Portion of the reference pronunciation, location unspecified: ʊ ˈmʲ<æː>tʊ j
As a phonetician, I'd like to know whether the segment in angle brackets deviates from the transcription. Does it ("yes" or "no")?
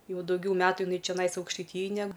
no